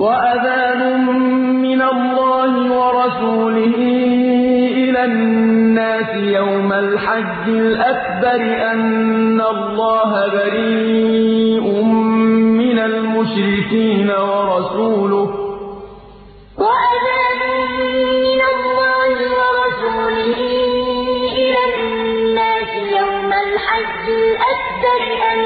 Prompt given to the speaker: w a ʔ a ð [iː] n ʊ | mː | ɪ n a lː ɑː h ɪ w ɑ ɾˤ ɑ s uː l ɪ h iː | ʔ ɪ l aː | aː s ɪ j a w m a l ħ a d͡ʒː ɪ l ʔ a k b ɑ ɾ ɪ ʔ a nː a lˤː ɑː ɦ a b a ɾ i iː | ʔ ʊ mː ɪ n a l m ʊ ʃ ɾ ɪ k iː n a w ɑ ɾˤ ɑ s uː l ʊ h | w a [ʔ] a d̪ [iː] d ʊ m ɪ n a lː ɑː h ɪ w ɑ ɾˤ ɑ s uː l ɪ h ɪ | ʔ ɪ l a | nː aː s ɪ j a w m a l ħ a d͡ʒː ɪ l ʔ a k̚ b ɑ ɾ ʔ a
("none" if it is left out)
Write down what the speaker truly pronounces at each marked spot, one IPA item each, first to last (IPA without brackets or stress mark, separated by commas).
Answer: aː, ʔ, aː